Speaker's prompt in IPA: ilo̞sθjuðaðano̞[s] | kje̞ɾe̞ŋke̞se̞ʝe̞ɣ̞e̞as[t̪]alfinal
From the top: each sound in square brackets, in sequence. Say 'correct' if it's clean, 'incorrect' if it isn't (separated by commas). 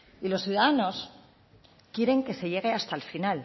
correct, correct